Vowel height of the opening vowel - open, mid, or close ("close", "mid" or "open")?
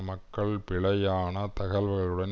open